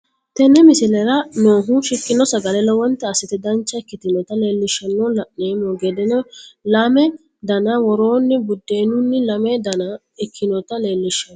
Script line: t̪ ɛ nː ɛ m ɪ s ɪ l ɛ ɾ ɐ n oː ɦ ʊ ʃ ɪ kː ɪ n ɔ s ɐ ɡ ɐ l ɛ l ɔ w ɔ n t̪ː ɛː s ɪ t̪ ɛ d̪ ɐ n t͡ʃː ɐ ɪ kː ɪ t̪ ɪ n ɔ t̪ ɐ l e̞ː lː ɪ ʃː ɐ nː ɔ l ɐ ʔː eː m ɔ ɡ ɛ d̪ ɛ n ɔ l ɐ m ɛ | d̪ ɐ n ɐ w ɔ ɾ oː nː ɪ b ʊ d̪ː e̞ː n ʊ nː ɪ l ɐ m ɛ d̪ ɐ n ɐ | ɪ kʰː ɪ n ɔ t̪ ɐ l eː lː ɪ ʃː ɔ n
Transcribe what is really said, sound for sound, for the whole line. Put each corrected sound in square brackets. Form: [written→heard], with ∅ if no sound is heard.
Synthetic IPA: t̪ ɛ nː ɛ m ɪ s ɪ l ɛ ɾ ɐ n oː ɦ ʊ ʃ ɪ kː ɪ n ɔ s ɐ ɡ ɐ l ɛ l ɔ w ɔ n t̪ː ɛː s ɪ t̪ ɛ d̪ ɐ n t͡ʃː ɐ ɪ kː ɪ t̪ ɪ n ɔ t̪ ɐ l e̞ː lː ɪ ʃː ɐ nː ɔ l ɐ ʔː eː m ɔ ɡ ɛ d̪ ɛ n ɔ l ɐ m ɛ | d̪ ɐ n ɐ w ɔ ɾ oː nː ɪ b ʊ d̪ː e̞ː n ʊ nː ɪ l ɐ m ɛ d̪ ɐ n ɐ | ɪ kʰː ɪ n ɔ t̪ ɐ l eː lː ɪ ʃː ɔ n